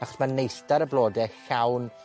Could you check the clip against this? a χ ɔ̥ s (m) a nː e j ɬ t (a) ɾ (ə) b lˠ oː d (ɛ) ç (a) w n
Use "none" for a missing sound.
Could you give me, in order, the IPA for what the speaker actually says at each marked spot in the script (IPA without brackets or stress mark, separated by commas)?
m, a, ə, ɛ, a